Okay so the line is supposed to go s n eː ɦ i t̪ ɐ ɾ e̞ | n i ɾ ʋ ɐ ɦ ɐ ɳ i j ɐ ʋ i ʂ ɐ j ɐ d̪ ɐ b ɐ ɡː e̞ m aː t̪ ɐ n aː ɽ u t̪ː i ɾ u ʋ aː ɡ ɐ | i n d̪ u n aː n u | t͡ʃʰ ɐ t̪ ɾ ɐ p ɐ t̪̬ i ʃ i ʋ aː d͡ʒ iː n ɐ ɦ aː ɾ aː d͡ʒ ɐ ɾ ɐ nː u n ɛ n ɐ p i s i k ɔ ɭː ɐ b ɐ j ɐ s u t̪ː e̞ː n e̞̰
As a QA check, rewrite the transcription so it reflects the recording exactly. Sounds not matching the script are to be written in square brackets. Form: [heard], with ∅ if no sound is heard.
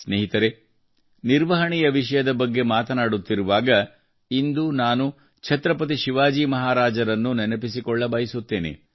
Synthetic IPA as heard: s n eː ɦ i t̪ ɐ ɾ e̞ | n i ɾ ʋ ɐ ɦ ɐ ɳ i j ɐ ʋ i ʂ ɐ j ɐ d̪ ɐ b ɐ ɡː e̞ m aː t̪ ɐ n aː ɽ u t̪ː i ɾ u ʋ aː ɡ ɐ | i n d̪ u n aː n u | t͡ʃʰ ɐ t̪ ɾ ɐ p ɐ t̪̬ i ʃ i ʋ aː d͡ʒ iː [m] ɐ ɦ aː ɾ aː d͡ʒ ɐ ɾ ɐ nː u n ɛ n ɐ p i s i k ɔ ɭː ɐ b ɐ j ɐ s u t̪ː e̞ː n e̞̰

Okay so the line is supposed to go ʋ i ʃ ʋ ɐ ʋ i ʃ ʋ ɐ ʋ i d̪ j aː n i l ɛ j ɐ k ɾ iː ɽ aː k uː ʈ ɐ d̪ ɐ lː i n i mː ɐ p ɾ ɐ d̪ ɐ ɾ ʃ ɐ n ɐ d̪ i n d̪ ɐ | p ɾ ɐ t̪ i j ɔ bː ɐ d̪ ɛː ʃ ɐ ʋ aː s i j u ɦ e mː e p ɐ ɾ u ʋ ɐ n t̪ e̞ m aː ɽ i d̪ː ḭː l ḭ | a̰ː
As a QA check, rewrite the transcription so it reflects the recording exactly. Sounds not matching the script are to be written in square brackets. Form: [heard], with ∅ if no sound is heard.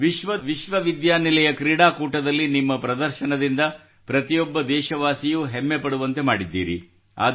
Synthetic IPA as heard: ʋ i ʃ ʋ ɐ ʋ i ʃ ʋ ɐ ʋ i d̪ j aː n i l ɛ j ɐ k ɾ iː ɽ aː k uː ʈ ɐ d̪ ɐ lː i n i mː ɐ p ɾ ɐ d̪ ɐ ɾ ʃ ɐ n ɐ d̪ i n d̪ ɐ | p ɾ ɐ t̪ i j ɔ bː ɐ d̪ ɛː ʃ ɐ ʋ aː s i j u ɦ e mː e p ɐ [ɽ] u ʋ ɐ n t̪ e̞ m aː ɽ i d̪ː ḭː [ɾ] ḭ | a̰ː

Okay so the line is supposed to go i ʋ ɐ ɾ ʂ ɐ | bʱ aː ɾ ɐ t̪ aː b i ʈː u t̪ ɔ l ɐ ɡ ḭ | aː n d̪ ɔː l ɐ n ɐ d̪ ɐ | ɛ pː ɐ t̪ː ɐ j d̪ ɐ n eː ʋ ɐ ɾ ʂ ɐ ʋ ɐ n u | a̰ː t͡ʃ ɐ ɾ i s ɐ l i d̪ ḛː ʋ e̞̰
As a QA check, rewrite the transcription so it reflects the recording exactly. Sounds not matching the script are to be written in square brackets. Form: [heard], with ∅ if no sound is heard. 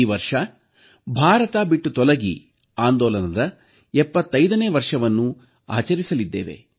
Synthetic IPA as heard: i ʋ ɐ ɾ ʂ ɐ | bʱ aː ɾ ɐ t̪ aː b i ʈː u t̪ ɔ l ɐ ɡ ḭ | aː n d̪ ɔː l ɐ n ɐ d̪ ɐ | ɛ pː ɐ t̪ː ɐ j d̪ ɐ n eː ʋ ɐ ɾ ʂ ɐ ʋ ɐ [nː] u | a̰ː t͡ʃ ɐ ɾ i s ɐ l i [d̪ː] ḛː ʋ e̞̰

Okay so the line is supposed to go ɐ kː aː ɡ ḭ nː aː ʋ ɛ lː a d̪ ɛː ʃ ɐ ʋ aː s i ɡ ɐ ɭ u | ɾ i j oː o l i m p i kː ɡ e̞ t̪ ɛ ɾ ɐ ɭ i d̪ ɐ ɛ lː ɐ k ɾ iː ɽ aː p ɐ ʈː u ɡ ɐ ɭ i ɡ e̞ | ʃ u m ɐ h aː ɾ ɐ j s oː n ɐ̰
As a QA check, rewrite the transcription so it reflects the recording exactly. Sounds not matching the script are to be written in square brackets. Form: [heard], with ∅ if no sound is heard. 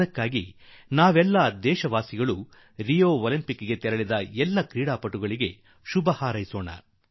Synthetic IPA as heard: ɐ kː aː ɡ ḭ [n] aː ʋ ɛ lː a d̪ ɛː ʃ ɐ ʋ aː s i ɡ ɐ ɭ u | ɾ i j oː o l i m p i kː ɡ e̞ t̪ ɛ ɾ ɐ ɭ i d̪ ɐ ɛ lː ɐ k ɾ iː ɽ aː p ɐ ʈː u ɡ ɐ ɭ i ɡ e̞ | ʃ u [b] ɐ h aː ɾ ɐ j s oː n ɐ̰

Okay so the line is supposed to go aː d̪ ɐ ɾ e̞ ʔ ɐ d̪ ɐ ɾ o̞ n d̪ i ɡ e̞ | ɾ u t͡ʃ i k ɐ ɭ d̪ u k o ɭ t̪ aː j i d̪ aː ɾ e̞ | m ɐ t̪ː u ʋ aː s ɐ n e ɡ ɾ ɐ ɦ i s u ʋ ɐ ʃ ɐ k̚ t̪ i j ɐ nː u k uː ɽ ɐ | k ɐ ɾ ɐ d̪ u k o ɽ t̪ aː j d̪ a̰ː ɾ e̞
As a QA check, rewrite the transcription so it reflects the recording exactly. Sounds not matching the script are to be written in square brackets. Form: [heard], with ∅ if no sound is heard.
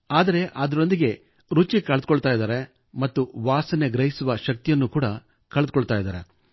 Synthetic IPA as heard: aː d̪ ɐ ɾ e̞ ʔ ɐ d̪ ɐ ɾ o̞ n d̪ i ɡ e̞ | ɾ u t͡ʃ i k ɐ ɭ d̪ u k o ɭ t̪ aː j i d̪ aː ɾ e̞ | m ɐ t̪ː u ʋ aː s ɐ n e ɡ ɾ ɐ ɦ i s u ʋ ɐ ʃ ɐ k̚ t̪ i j ɐ nː u k uː ɽ ɐ | k ɐ [ɭ] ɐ d̪ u k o [ɭ] t̪ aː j d̪ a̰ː ɾ e̞

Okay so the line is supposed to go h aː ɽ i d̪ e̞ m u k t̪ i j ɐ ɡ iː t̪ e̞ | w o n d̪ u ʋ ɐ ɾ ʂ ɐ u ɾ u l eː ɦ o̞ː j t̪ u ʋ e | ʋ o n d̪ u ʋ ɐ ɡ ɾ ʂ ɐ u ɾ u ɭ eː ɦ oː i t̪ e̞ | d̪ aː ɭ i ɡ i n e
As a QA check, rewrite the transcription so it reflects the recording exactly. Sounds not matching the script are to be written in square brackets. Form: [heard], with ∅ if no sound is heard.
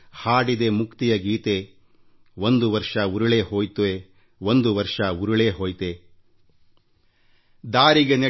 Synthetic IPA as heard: h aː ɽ i d̪ e̞ m u k t̪ i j ɐ ɡ iː t̪ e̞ | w o n d̪ u ʋ ɐ ɾ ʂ ɐ u ɾ u [ɭ] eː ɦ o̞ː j t̪ u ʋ e | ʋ o n d̪ u ʋ ɐ [∅] ɾ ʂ ɐ u ɾ u ɭ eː ɦ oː [j] t̪ e̞ | d̪ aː [ɾ] i ɡ [e] n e

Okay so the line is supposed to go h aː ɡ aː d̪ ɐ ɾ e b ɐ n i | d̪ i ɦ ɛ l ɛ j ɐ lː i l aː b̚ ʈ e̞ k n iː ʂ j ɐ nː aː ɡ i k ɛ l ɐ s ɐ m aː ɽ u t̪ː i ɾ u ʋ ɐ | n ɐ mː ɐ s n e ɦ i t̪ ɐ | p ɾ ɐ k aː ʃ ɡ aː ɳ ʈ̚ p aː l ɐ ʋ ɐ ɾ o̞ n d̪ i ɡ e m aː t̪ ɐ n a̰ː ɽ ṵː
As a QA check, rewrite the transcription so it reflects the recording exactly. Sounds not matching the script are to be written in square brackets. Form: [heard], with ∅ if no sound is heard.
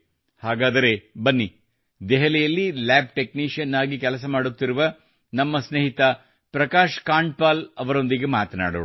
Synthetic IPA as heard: h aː ɡ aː d̪ ɐ ɾ e b ɐ [nː] i | d̪ [ɛ] ɦ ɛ l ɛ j ɐ lː i l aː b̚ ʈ e̞ k n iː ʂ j ɐ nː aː ɡ i k ɛ l ɐ s ɐ m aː ɽ u t̪ː i ɾ u ʋ ɐ | n ɐ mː ɐ s n e ɦ i t̪ ɐ | p ɾ ɐ k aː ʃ [k] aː ɳ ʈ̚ p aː l ɐ ʋ ɐ ɾ o̞ n d̪ i ɡ e m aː t̪ ɐ n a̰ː ɽ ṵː

